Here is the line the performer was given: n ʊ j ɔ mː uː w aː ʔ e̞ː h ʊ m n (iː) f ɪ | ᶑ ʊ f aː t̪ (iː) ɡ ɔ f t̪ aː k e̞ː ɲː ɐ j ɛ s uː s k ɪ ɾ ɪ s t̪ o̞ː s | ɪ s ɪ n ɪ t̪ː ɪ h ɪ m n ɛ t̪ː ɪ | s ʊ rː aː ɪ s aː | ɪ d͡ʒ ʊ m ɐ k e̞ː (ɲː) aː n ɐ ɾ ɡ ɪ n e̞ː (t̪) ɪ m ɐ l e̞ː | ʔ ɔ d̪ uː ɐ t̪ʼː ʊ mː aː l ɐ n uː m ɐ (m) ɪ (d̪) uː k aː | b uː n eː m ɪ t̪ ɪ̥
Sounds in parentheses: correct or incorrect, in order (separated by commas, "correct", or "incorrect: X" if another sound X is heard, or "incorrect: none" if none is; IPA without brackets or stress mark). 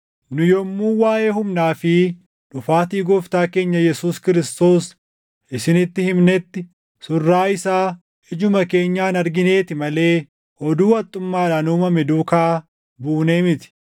incorrect: aː, correct, correct, correct, correct, correct